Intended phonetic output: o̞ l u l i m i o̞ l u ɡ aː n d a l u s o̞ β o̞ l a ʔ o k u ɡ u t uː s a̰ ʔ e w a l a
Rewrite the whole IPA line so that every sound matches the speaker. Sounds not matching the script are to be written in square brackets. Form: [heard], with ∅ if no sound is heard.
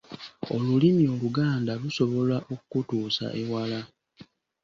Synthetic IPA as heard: o̞ l u l i m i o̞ l u ɡ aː n d a l u s o̞ β o̞ l a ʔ o k u [k] u t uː s a̰ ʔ e w a l a